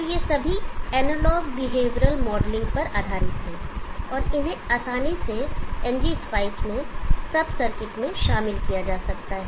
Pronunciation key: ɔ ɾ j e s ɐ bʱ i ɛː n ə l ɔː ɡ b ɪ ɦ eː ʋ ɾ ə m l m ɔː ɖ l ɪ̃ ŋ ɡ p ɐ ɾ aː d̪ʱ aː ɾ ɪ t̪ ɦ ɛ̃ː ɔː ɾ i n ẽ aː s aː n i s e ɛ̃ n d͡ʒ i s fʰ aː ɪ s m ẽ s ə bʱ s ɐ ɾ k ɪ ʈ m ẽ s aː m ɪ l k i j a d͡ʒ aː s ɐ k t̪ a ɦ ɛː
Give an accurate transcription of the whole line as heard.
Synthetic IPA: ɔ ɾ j e s ɐ bʱ i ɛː n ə l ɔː ɡ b ɪ ɦ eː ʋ ɾ ə l m ɔː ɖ l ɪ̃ ŋ ɡ p ɐ ɾ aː d̪ʱ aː ɾ ɪ t̪ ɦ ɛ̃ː ɔː ɾ ɪ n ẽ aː s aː n i s e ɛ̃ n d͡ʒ i s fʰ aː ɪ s m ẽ s ɐ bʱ s ɐ ɾ k ɪ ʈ m ẽ ʃ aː m ɪ l k i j a d͡ʒ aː s ɐ k t̪ a ɦ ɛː